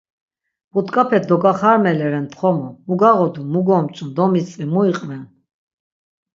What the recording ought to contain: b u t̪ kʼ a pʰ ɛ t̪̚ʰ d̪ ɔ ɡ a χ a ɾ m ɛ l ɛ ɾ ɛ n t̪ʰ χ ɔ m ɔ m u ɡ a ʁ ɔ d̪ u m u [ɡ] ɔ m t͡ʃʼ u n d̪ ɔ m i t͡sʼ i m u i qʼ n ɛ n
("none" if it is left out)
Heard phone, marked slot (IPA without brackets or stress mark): ɡ